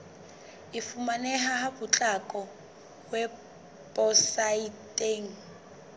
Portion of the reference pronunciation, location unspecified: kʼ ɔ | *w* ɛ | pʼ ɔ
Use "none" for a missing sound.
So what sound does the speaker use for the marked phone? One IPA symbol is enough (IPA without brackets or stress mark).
w